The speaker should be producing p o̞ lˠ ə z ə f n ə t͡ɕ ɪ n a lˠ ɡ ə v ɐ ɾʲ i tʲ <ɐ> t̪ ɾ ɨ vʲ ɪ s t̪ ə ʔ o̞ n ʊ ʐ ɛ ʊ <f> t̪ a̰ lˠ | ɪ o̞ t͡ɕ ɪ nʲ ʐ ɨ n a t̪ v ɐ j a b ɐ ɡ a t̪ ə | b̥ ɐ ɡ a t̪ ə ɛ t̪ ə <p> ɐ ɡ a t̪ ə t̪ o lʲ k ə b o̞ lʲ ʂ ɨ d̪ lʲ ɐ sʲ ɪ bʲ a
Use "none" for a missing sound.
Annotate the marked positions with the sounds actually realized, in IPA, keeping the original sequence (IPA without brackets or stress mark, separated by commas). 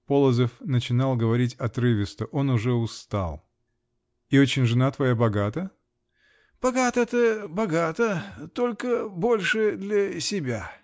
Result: ɐ, s, b